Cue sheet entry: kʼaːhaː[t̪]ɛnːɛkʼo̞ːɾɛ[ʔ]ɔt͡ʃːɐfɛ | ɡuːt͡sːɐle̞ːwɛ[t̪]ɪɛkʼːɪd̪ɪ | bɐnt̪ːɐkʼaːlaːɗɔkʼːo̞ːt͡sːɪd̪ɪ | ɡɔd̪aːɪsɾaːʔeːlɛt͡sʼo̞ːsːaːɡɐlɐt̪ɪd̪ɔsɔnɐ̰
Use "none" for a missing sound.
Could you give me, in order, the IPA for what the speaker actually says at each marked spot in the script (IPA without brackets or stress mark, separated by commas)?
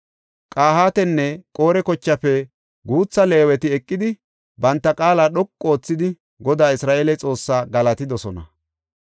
t̪, k, t̪